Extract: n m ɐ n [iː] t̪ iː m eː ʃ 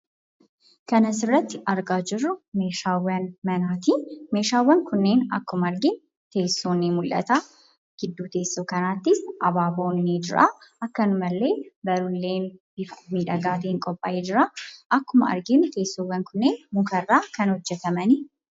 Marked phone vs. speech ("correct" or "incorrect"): incorrect